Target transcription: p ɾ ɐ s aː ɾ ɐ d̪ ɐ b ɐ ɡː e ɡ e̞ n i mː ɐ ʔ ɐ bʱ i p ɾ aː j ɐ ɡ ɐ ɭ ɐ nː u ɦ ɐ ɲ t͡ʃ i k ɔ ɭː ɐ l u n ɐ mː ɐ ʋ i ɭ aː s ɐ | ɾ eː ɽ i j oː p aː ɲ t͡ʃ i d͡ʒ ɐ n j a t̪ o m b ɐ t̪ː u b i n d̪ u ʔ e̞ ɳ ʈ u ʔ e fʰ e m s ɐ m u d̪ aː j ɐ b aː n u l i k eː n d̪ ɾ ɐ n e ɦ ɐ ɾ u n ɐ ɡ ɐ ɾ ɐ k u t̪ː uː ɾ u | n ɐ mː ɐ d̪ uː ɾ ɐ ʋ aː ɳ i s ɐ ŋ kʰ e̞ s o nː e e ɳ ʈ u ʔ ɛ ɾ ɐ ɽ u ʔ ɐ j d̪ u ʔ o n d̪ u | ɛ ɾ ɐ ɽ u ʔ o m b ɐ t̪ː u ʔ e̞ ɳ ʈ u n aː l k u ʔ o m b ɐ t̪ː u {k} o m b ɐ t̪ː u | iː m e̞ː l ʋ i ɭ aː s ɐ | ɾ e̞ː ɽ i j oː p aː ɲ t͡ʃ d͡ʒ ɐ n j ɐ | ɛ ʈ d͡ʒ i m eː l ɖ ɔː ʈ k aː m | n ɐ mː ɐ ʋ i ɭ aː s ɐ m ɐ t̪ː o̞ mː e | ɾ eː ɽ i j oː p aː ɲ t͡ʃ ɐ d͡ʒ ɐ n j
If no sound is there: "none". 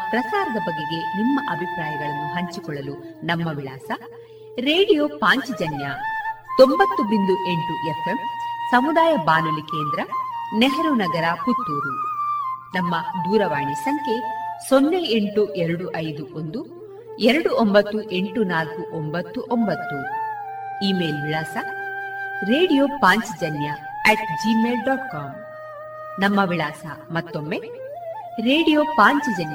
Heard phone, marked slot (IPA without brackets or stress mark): ʔ